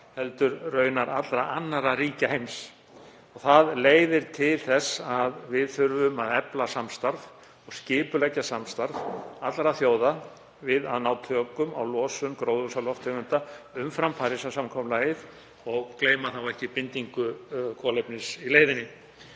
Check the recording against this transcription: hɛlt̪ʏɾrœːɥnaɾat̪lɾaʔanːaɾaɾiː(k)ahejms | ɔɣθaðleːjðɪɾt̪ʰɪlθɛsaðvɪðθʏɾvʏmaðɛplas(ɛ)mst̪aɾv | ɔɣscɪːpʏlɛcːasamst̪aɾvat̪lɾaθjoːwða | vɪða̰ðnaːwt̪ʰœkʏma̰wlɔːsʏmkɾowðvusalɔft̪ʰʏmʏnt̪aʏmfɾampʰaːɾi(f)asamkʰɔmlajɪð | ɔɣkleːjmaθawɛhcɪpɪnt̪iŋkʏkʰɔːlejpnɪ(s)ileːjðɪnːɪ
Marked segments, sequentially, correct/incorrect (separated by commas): incorrect, incorrect, incorrect, correct